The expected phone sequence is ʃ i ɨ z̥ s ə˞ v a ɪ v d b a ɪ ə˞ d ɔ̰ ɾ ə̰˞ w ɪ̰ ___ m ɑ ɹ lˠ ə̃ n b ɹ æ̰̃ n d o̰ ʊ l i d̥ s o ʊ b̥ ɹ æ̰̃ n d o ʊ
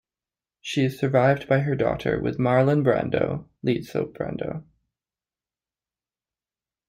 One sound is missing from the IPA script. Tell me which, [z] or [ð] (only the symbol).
ð